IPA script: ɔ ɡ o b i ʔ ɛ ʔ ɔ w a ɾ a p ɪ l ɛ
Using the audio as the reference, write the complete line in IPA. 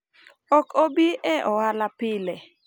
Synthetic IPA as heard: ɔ k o b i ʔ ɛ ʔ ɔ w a l a p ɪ l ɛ